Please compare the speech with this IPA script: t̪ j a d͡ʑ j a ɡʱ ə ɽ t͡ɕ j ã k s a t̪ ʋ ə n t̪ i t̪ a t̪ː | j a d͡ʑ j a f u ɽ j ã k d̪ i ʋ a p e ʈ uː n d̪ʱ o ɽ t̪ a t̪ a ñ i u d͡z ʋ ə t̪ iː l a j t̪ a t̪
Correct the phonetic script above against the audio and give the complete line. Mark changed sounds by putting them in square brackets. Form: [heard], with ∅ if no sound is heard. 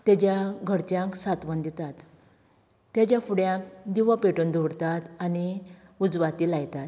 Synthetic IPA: t̪ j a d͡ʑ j a ɡʱ ə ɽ t͡ɕ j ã k s a t̪ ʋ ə n [d̪] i t̪ a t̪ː | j a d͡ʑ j a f u ɽ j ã k d̪ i ʋ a p e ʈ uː n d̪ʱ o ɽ t̪ a t̪ a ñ i u d͡z ʋ [a] t̪ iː l a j t̪ a t̪